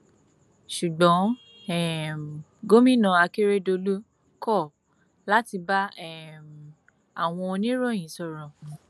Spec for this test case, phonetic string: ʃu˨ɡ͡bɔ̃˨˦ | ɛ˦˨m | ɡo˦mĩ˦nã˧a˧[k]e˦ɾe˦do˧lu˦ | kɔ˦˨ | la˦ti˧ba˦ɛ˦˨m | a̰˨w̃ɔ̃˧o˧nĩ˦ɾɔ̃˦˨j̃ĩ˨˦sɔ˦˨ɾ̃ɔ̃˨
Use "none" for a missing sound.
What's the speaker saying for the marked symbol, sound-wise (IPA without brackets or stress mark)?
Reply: k